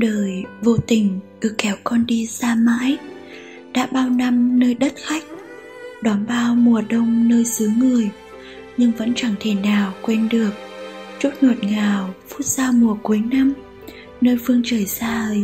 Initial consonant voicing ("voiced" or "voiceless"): voiced